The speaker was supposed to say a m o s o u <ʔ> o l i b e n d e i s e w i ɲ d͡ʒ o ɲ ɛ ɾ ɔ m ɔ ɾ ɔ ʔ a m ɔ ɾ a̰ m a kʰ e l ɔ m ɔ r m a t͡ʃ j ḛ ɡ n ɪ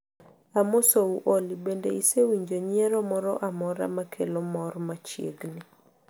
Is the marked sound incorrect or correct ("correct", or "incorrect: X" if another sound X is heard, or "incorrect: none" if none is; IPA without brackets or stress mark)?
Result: correct